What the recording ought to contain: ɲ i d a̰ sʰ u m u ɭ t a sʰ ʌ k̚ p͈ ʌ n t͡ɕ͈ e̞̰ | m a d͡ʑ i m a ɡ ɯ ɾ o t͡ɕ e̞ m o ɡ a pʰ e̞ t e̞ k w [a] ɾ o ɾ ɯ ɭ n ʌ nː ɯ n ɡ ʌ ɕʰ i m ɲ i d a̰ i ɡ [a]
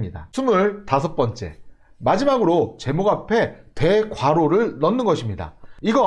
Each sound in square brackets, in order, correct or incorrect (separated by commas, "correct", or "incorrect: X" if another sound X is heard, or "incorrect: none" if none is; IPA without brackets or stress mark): correct, incorrect: ʌ